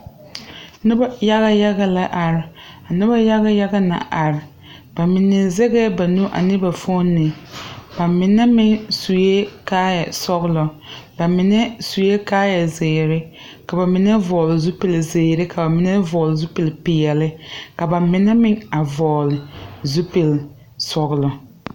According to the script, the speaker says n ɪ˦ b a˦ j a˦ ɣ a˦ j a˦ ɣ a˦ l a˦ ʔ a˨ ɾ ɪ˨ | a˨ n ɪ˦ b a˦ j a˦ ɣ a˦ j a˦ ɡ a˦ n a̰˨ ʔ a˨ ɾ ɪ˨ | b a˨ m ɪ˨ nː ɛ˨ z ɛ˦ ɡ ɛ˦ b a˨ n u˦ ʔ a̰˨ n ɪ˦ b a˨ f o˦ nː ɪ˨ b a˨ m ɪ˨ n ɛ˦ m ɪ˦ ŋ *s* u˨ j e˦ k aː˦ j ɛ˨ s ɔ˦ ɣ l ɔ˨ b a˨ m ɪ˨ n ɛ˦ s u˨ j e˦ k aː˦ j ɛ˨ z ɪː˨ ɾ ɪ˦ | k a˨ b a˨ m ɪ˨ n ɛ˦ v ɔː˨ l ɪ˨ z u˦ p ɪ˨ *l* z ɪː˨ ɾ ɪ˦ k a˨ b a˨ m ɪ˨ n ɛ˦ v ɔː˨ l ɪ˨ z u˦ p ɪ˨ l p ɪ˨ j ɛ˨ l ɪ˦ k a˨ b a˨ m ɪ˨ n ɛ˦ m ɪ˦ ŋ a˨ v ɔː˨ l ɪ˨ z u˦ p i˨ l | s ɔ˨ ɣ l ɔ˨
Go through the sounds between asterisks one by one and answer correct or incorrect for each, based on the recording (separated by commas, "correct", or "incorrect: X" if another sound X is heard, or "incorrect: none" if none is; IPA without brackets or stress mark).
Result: correct, correct